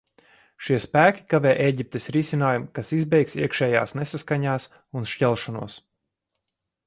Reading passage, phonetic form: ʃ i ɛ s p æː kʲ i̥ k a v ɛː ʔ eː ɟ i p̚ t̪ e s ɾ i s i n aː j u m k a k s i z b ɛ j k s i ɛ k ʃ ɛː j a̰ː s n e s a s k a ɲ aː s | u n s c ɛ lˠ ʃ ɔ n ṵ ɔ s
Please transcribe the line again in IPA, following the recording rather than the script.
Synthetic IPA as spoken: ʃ i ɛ s p æː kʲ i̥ k a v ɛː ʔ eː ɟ i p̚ t̪ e s ɾ i s i n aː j u m k a s i z b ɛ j k s i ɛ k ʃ ɛː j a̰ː s n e s a s k a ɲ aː s | u n ʃ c ɛ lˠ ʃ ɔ n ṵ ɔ s